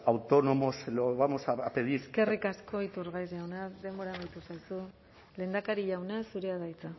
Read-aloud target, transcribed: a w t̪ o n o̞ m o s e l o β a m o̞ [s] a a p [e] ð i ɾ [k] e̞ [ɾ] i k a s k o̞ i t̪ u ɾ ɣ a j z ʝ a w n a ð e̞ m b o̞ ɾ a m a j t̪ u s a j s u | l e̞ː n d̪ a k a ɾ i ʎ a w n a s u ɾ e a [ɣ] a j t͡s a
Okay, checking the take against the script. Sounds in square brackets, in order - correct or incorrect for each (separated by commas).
correct, correct, correct, incorrect, incorrect